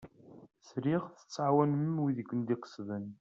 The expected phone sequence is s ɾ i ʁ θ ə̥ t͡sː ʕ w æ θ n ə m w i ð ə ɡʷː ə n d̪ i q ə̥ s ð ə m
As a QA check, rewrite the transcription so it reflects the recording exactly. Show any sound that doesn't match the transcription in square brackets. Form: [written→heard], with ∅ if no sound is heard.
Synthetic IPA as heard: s ɾ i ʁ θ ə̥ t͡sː ʕ w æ [θ→∅] n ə m w i ð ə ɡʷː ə n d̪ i q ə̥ s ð ə [m→n]